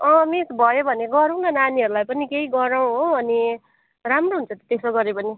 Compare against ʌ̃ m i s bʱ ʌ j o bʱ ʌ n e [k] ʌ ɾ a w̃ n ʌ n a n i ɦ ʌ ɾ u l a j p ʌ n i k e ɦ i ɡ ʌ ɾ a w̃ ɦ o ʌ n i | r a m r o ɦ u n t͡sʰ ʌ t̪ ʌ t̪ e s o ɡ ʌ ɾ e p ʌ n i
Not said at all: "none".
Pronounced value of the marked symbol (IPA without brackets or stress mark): ɡ